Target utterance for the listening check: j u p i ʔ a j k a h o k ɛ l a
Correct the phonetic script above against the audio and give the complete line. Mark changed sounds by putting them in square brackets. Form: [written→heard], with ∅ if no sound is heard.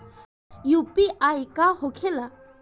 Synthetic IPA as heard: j u p i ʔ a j k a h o [k→kʰ] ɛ l a